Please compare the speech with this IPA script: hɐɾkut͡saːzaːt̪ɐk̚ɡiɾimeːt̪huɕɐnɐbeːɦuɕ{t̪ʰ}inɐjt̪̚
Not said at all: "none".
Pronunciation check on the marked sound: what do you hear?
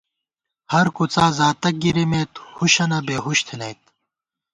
t̪ʰ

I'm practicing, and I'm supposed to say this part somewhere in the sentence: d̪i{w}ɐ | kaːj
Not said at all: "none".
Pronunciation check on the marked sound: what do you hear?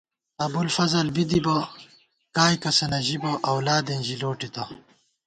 b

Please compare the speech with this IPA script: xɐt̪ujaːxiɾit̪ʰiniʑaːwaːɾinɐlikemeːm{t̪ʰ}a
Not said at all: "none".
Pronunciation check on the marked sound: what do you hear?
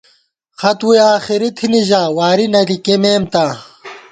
t̪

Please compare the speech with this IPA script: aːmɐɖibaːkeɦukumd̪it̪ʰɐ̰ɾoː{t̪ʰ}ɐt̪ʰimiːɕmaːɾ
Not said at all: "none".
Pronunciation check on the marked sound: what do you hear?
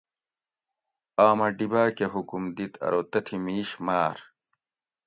t̪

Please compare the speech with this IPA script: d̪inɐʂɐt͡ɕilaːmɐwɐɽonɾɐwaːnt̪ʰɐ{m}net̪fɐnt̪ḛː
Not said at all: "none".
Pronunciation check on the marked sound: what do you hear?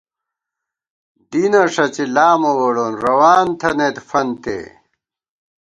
none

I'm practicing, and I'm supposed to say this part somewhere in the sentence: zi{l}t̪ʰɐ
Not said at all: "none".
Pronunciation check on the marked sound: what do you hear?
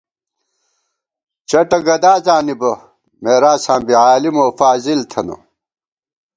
l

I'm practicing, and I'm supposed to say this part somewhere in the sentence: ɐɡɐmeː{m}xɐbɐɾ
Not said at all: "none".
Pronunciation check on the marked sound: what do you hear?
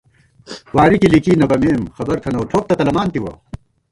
m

